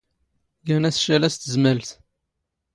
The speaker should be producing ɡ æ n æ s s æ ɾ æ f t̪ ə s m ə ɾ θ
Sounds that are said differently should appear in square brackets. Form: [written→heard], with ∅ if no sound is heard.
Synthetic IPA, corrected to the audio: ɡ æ n æ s [s→ʃ] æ [ɾ→l] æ [f→s] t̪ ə [s→z] m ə [ɾ→l] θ